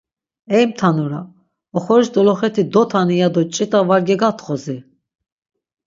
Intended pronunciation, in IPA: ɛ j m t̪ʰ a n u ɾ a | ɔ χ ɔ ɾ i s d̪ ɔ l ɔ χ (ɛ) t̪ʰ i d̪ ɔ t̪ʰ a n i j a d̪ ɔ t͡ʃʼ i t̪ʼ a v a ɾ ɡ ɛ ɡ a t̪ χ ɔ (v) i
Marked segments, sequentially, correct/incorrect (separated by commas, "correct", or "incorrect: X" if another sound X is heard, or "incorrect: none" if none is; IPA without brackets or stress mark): correct, incorrect: z